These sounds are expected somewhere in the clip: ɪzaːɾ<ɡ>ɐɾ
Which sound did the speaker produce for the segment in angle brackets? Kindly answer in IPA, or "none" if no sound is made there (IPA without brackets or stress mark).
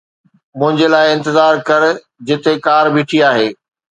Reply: k